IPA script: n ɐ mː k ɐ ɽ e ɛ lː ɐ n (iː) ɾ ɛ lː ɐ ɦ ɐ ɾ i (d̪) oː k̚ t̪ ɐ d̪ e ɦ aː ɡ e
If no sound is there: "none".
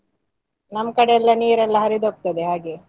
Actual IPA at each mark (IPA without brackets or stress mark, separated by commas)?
iː, d̪